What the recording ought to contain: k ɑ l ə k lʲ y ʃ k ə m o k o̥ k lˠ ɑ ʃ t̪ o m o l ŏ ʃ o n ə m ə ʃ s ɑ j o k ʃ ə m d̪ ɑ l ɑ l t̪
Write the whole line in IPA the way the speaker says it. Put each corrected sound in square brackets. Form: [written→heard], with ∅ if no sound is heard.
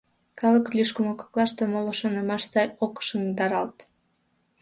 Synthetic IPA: k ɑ l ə k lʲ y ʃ k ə m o k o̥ k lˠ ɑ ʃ t̪ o m o l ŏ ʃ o n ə m [ə→ɑ] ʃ s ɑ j o k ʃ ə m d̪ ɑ [l→ɾ] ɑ l t̪

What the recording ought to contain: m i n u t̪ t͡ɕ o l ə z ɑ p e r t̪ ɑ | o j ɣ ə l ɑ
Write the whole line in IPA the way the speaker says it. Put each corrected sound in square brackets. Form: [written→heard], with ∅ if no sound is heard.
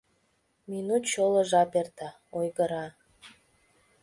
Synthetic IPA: m i n u t̪ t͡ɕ o l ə [z→ʒ] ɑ p e r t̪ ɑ | o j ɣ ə [l→ɾ] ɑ

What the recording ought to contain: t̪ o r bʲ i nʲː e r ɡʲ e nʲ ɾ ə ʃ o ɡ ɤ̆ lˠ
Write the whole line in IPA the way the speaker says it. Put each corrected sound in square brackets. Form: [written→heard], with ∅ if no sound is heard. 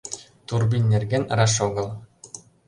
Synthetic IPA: t̪ [o→u] r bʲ i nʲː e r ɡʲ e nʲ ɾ [ə→ɑ] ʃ o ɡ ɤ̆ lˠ

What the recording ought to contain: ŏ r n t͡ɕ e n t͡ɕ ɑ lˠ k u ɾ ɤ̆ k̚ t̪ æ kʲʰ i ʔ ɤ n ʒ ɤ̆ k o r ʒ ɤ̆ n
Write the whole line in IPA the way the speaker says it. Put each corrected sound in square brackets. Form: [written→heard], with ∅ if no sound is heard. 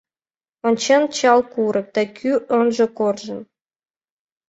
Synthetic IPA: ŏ [r→∅] n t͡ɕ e n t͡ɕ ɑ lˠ k u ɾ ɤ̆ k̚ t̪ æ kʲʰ [i→y] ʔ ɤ n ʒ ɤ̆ k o r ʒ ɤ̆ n

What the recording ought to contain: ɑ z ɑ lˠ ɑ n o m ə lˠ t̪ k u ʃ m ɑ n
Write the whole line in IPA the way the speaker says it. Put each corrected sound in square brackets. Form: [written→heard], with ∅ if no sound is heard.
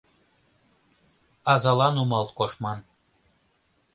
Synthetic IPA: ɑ z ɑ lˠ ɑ n [o→u] m [ə→ɑ] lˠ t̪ k [u→o] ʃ m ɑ n

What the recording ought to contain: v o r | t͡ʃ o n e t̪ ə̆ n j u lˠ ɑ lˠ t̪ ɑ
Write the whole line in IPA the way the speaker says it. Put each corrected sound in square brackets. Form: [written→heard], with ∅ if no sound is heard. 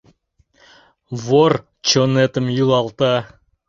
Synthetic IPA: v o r | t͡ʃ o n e t̪ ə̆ [n→m] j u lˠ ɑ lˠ t̪ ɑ

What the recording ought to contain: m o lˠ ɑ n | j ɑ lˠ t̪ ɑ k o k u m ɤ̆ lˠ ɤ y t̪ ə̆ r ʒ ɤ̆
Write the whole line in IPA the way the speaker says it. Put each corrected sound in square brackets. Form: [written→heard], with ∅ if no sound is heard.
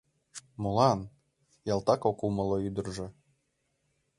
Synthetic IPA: m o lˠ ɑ n | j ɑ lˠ t̪ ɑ k o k u m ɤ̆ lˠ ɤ y [t̪→d̪] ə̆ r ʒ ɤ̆

